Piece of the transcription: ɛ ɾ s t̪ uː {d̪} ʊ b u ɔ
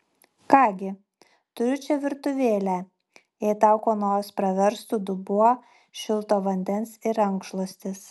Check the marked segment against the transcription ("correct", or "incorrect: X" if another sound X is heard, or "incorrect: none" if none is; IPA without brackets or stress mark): correct